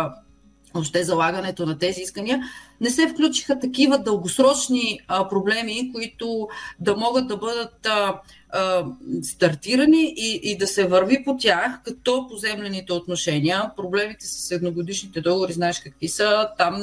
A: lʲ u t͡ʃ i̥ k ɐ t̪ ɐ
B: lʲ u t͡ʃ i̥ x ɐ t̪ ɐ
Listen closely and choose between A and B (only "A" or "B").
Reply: B